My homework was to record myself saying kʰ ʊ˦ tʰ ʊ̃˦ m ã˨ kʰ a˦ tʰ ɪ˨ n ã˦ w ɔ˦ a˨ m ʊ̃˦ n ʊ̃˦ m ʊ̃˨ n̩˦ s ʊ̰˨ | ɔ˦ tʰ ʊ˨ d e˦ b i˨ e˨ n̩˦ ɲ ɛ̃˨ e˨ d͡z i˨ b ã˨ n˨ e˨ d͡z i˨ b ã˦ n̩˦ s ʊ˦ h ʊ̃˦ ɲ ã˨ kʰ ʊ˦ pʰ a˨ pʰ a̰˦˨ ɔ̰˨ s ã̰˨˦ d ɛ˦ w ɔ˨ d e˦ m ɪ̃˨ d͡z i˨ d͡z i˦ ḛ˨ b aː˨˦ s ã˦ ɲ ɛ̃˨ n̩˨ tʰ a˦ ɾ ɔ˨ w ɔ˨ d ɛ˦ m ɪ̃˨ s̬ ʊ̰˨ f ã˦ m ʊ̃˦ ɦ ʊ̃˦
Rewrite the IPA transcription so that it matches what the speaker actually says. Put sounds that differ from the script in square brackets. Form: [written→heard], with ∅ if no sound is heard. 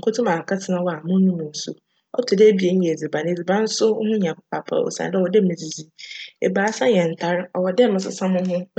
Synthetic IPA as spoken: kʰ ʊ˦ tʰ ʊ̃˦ m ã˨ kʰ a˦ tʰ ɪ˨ n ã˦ w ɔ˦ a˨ m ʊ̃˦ n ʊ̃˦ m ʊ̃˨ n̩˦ s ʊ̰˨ | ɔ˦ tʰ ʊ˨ d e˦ b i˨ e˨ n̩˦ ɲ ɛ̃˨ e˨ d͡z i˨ b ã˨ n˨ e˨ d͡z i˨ b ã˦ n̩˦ s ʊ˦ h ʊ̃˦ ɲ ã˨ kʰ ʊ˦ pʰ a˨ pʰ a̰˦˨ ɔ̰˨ s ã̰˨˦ d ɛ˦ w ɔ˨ d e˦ m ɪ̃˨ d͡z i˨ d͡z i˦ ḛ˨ b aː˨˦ s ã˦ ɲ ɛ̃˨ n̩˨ tʰ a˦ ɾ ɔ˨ w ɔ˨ d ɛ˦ m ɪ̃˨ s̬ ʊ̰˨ [f→s] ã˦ m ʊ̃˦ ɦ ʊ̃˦